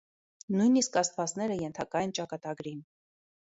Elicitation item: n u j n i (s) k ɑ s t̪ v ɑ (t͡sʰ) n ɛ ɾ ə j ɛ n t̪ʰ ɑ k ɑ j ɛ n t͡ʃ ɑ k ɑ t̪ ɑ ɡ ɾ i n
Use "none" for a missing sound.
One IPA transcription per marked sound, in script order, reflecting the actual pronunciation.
s, t͡s

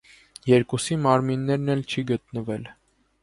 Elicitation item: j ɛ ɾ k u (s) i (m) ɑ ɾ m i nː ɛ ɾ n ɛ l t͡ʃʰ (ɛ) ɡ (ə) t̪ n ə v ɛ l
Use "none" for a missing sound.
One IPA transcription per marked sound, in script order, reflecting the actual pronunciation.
s, m, i, ə

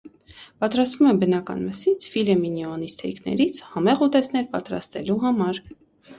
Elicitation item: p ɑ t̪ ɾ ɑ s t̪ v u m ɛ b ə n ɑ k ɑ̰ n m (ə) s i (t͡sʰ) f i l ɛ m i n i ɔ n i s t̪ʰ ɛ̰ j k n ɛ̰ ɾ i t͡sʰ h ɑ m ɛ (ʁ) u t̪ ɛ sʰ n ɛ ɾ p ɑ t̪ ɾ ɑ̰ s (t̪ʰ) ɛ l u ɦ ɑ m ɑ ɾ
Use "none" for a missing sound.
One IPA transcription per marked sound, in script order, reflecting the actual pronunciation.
ə, t͡sʰ, ʁ, t̪

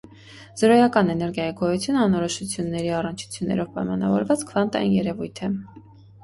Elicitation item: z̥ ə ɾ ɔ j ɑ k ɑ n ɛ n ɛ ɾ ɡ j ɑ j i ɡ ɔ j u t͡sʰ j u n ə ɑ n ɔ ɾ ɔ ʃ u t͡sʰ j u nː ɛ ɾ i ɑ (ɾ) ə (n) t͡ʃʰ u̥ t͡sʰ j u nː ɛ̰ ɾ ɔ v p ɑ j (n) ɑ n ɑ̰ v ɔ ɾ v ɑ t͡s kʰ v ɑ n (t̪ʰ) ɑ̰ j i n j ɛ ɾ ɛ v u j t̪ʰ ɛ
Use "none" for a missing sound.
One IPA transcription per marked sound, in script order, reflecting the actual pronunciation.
r, n, m, t̪

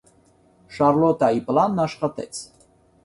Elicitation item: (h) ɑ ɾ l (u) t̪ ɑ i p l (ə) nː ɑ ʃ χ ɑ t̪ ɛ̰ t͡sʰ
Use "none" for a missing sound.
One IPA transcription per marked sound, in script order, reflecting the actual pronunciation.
ʃ, ɔ, ɑ

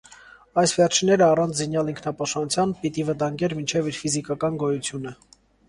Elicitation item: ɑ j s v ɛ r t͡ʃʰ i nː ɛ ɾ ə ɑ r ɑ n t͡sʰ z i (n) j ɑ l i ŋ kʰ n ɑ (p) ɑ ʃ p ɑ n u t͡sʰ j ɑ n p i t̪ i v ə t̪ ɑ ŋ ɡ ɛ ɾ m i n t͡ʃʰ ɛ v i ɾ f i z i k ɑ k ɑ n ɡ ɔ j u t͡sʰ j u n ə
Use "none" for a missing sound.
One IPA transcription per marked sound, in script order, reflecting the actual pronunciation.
n, p

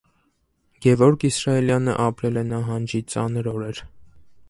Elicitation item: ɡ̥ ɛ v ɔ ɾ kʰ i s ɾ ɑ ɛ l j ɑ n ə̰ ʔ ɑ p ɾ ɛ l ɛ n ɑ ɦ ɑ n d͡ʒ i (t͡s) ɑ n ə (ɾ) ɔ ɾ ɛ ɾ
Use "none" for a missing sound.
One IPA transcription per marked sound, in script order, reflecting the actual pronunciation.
t͡s, ɾ

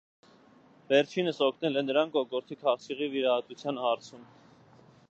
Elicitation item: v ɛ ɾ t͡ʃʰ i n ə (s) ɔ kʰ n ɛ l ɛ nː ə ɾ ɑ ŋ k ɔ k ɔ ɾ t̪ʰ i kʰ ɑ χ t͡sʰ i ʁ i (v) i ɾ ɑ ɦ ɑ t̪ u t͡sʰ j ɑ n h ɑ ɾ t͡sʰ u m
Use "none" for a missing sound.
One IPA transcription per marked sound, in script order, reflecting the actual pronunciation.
s, v

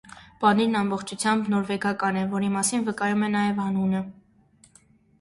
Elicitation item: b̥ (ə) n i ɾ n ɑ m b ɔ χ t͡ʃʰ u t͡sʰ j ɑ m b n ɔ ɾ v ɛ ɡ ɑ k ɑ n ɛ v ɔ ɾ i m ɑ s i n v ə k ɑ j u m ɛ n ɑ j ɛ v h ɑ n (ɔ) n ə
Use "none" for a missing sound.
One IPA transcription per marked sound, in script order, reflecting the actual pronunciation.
ɑ, u

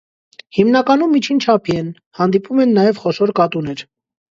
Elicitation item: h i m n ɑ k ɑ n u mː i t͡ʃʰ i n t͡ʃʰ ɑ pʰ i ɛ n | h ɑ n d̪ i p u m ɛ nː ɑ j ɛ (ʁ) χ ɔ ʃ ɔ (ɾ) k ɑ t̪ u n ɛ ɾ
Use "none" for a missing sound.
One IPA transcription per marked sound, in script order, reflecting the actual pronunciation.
v, ɾ

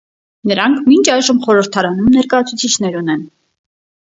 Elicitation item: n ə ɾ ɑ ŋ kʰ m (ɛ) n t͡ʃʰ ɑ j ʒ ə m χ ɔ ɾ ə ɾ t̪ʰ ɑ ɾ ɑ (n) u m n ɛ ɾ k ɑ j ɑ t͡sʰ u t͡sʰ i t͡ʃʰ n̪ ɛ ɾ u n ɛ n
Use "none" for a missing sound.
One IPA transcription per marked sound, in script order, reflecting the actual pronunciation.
i, n

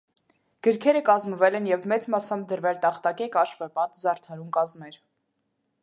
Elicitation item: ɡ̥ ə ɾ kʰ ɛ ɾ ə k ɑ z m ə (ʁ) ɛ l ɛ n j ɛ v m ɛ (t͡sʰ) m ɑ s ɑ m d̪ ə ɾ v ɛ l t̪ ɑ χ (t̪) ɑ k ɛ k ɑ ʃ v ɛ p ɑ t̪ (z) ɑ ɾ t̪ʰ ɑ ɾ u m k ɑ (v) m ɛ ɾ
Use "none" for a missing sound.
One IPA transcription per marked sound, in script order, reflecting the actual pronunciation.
v, t͡s, t̪, z, z

